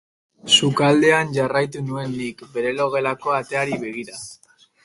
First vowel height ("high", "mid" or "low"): high